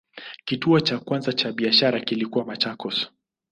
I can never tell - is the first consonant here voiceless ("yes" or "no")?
yes